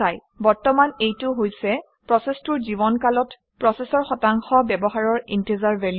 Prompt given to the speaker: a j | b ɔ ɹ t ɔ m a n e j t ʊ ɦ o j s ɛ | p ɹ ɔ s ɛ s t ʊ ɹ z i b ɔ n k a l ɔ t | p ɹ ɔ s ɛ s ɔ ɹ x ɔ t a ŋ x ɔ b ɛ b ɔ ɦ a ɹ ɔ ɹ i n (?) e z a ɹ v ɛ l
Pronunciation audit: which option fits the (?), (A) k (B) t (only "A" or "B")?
B